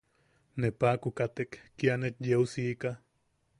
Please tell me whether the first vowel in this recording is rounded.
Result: no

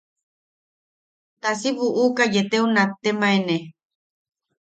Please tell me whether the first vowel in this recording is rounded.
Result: no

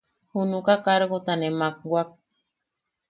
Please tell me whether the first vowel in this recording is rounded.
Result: yes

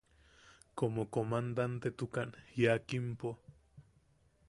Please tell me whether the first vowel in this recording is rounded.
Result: yes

